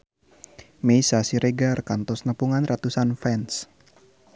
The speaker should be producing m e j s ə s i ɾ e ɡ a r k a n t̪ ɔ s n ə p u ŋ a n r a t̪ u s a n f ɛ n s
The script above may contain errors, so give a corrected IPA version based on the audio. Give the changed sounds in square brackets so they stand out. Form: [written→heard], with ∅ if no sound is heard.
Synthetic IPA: m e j s [ə→a] s i ɾ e ɡ a r k a n t̪ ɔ s n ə p u ŋ a n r a t̪ u s a n f ɛ n s